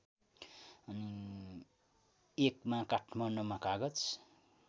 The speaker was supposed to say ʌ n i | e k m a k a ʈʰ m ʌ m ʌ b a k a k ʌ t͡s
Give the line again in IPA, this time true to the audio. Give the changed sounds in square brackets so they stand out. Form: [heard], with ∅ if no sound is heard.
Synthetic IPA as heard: ʌ n i | e k m a k a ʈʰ m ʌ [n] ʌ [m] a k a [ɡ] ʌ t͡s